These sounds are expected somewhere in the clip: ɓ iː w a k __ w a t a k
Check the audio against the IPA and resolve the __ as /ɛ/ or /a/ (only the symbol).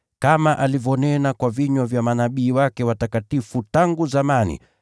ɛ